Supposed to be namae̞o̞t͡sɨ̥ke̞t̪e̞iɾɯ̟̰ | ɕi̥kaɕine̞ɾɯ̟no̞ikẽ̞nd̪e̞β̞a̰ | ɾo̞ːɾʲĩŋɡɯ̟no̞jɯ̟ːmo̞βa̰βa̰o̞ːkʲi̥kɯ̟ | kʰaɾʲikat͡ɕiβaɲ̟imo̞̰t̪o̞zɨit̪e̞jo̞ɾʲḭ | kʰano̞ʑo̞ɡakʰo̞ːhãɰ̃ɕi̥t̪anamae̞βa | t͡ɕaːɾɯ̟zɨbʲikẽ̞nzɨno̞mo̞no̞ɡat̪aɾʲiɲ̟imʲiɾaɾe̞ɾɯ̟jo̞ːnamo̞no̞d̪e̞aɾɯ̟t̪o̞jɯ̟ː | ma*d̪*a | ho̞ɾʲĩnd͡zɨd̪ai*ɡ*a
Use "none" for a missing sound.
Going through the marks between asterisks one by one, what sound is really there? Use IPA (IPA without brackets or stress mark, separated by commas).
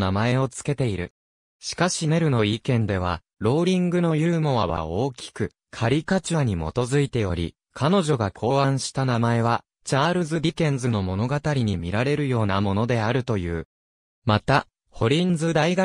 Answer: t̪, ɡ